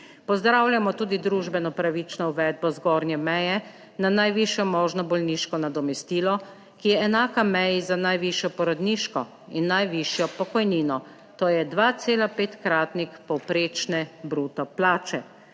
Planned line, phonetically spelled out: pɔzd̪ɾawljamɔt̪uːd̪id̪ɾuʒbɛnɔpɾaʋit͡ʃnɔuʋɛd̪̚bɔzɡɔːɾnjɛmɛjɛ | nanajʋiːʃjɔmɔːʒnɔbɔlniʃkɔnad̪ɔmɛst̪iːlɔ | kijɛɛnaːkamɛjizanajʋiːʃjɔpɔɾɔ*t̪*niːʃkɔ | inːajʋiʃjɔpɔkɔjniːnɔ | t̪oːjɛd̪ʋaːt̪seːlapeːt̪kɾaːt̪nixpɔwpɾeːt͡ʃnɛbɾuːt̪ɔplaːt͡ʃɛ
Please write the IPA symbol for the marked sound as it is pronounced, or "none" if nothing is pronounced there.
d̪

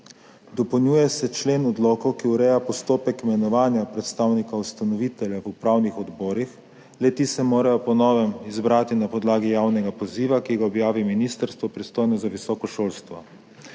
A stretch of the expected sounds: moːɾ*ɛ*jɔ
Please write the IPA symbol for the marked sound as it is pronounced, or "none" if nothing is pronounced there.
a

